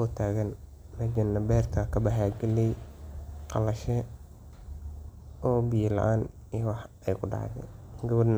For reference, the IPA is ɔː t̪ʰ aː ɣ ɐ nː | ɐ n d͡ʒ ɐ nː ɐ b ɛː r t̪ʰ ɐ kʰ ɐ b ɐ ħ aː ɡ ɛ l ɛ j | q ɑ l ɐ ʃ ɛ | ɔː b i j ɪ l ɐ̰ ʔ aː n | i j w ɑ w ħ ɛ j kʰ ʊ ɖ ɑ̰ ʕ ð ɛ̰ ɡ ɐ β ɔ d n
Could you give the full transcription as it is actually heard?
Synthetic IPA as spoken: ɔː t̪ʰ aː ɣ ɐ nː | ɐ d͡ʒ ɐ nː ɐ b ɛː r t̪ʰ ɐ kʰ ɐ b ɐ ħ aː ɡ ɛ l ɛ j | q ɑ l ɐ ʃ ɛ | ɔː b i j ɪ l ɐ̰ ʔ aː n | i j w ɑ ħ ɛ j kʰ ʊ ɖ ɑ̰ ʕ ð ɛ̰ ɡ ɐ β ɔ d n